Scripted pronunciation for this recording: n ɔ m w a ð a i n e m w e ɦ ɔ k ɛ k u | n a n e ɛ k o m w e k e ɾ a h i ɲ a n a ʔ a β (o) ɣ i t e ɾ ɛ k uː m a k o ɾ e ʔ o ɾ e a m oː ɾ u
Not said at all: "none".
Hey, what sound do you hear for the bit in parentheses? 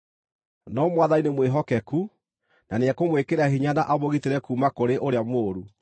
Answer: o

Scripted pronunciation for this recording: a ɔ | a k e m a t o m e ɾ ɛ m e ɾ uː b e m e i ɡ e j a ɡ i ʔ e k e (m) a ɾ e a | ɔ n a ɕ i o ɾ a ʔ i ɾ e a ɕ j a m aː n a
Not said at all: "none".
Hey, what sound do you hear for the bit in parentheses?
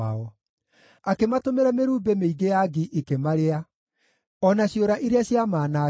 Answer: m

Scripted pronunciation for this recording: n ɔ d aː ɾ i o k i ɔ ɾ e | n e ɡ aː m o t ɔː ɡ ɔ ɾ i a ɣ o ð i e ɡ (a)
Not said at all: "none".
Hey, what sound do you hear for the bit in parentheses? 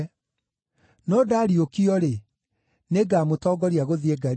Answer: a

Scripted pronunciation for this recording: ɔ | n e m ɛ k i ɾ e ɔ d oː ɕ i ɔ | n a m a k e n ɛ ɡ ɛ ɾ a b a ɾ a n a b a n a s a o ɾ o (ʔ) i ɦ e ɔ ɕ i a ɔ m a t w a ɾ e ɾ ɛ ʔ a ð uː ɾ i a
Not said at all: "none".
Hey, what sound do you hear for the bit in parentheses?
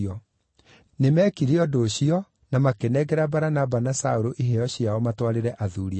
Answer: ʔ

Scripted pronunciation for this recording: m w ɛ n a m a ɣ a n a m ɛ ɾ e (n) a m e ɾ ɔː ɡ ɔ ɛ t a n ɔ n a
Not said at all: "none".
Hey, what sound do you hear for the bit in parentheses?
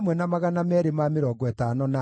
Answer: m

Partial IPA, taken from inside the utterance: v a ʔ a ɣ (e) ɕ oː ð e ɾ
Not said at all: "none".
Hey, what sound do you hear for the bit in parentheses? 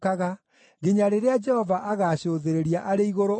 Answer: a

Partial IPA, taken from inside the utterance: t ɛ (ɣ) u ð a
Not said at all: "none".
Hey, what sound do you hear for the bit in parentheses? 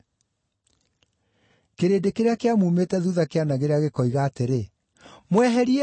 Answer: ð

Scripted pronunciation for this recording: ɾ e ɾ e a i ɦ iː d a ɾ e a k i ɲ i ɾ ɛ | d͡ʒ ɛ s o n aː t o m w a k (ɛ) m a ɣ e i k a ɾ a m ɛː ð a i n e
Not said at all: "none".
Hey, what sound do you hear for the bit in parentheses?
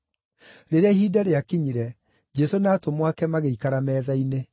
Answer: ɛ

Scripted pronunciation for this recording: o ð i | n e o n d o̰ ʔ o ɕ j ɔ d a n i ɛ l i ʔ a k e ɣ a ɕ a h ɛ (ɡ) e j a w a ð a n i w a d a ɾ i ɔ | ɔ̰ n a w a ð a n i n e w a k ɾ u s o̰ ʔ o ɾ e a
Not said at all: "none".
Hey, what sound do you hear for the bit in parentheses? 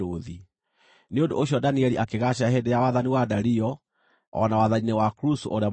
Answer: d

